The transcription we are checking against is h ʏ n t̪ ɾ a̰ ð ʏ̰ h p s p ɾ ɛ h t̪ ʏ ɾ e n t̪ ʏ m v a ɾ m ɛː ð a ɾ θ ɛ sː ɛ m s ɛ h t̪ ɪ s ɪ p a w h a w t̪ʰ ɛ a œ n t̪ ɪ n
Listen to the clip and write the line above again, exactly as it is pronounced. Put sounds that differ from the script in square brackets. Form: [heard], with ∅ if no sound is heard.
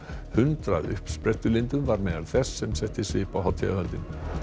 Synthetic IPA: h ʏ n t̪ ɾ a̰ ð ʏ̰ h p s p ɾ ɛ h t̪ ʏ [l] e n t̪ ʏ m v a ɾ m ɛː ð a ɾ θ ɛ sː ɛ m s ɛ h t̪ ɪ s ɪ p a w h a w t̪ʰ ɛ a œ n t̪ ɪ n

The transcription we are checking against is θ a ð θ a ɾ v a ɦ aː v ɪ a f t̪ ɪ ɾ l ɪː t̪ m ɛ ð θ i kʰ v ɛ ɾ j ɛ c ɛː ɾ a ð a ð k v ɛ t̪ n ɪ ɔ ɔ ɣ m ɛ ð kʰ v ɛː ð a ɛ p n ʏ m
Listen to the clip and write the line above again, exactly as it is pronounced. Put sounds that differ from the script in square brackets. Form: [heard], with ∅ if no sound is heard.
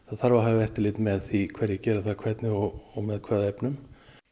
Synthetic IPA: θ a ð θ a ɾ v a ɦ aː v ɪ [ɛ] f t̪ ɪ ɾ l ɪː t̪ m ɛ ð θ i kʰ v ɛ ɾ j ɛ c ɛː ɾ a [θ] a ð [kʰ] v ɛ t̪ n ɪ ɔ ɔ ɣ m ɛ ð kʰ v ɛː ð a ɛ p n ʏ m

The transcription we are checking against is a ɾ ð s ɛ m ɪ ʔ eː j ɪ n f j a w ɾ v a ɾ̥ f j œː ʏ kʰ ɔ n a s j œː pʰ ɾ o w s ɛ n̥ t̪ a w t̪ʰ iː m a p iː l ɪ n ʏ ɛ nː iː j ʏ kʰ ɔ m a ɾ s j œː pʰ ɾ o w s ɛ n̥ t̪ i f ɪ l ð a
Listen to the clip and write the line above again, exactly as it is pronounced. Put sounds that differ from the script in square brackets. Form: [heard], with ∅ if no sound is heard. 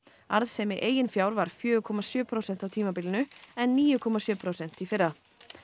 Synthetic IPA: a ɾ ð s ɛ m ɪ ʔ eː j ɪ n f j a w ɾ v a ɾ̥ f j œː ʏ kʰ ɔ [m] a s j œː pʰ ɾ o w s ɛ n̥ t̪ a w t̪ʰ iː m a p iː l ɪ n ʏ ɛ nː iː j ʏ kʰ ɔ m a [∅] s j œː pʰ ɾ o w s ɛ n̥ t̪ i f ɪ [ɾ] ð a

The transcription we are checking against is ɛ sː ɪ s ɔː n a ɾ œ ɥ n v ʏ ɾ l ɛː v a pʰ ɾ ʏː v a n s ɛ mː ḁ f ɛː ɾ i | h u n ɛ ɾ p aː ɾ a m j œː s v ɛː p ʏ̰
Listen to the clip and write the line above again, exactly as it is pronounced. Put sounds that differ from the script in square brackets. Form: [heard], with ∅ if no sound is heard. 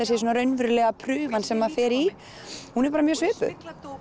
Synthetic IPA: ɛ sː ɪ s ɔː n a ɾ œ ɥ n v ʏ ɾ l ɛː [ɣ] a pʰ ɾ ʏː v a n s ɛ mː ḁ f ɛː ɾ i | h u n ɛ ɾ p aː ɾ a m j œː s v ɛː p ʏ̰

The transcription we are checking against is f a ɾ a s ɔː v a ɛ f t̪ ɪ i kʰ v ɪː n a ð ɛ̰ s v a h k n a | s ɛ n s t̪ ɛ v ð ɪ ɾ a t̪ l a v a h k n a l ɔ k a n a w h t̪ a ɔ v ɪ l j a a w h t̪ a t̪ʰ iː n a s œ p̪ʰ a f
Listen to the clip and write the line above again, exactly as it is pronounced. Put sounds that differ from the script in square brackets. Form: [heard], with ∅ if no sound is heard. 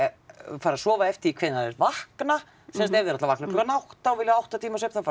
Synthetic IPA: f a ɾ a s ɔː v a ɛ f t̪ ɪ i kʰ v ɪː n a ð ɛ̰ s v a h k n a | s ɛ n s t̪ ɛ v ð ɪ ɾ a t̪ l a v a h k n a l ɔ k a n a w h t̪ a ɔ v ɪ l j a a w h t̪ a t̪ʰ iː [m] a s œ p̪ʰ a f

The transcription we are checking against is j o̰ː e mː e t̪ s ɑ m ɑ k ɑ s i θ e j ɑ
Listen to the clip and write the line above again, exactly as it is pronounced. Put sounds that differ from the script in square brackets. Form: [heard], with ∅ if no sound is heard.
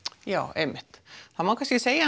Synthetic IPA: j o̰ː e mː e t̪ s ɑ m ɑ k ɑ s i [s] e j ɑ

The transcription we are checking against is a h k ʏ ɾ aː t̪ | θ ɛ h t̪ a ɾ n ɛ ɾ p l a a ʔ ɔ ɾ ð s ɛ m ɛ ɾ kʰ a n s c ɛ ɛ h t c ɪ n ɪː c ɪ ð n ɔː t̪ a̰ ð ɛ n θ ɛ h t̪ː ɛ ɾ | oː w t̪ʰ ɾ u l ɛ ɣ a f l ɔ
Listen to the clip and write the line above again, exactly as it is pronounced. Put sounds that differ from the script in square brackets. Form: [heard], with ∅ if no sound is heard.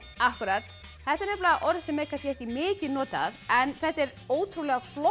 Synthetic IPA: a h k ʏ ɾ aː t̪ | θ ɛ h t̪ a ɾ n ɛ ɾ p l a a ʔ ɔ ɾ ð s ɛ m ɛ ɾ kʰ a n s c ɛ ɛ h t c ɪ [m] ɪː c ɪ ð n ɔː t̪ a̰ ð ɛ n θ ɛ h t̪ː ɛ ɾ | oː w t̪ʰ ɾ u l ɛ ɣ a f l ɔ

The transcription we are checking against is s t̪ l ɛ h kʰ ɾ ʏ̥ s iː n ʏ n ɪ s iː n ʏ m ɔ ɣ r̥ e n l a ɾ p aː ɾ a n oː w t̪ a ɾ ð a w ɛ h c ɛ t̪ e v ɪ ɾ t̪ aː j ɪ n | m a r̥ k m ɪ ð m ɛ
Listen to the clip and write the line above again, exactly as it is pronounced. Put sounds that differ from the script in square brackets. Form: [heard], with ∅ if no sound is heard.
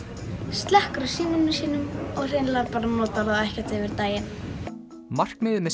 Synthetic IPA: s t̪ l ɛ h [k] ɾ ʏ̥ s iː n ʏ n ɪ s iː n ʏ m ɔ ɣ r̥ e n l a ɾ p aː ɾ a n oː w t̪ a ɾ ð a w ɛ h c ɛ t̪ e v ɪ ɾ t̪ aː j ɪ n | m a r̥ k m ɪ ð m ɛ

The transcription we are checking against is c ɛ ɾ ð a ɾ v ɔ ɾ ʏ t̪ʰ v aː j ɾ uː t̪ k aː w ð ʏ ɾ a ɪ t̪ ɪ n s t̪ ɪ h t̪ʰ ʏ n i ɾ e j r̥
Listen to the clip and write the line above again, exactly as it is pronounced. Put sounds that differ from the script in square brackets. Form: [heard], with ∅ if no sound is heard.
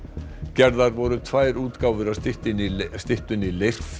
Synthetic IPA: c ɛ ɾ ð a ɾ v ɔ ɾ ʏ t̪ʰ v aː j ɾ uː t̪ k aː w [v] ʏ ɾ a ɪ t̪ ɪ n s t̪ ɪ h [t̪] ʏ n i [l] e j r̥

